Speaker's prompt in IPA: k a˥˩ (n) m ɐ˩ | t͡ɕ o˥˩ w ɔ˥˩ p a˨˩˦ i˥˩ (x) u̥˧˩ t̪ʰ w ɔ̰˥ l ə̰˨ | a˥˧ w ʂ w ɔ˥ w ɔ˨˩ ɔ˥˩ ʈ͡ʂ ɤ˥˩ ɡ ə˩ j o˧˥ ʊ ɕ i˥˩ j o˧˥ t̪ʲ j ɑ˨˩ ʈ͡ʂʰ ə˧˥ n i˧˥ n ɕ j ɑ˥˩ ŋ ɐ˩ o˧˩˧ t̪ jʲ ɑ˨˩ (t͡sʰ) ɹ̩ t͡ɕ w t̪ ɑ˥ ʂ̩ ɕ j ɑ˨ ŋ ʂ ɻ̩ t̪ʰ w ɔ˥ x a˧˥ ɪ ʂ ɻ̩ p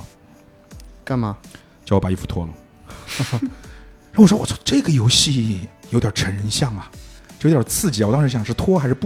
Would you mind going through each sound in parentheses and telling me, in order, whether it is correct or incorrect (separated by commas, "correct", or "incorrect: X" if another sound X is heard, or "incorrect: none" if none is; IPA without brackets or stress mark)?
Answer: correct, incorrect: f, correct